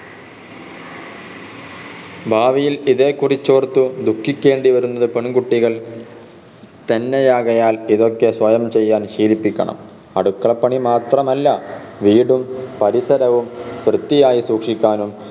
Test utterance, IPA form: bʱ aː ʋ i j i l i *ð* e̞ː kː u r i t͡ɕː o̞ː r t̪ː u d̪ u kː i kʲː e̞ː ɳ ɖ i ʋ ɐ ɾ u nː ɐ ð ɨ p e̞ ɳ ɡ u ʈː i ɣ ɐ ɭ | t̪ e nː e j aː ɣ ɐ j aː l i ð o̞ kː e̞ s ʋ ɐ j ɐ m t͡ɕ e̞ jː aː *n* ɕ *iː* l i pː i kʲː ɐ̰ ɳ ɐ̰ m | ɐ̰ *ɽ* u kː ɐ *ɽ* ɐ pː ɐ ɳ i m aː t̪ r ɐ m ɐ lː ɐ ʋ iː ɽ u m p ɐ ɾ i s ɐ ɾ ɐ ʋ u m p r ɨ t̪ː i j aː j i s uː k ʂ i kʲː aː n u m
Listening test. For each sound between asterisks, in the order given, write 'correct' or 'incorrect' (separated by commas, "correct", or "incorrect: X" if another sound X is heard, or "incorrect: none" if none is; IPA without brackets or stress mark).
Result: correct, correct, correct, correct, incorrect: ɭ